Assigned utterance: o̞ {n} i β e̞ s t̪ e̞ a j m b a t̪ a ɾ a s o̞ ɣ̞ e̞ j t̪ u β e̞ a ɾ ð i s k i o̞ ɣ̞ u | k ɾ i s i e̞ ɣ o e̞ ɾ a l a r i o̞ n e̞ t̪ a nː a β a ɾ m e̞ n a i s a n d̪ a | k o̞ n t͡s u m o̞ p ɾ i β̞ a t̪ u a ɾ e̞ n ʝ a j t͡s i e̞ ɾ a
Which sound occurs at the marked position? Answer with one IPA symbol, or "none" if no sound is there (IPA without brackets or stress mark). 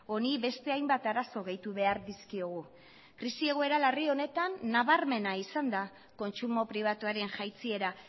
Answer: n